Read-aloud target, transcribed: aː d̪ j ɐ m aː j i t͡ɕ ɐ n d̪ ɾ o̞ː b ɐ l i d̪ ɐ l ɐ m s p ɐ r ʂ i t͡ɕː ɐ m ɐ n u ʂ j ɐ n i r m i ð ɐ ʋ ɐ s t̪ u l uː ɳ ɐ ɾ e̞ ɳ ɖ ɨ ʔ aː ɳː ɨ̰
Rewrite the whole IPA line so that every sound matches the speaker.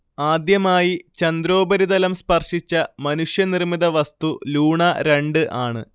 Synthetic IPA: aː d̪ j ɐ m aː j i t͡ɕ ɐ n d̪ ɾ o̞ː b ɐ ɾ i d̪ ɐ l ɐ m s p ɐ r ʂ i t͡ɕː ɐ m ɐ n u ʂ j ɐ n i r m i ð ɐ ʋ ɐ s t̪ u l uː ɳ ɐ ɾ e̞ ɳ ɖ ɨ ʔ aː ɳ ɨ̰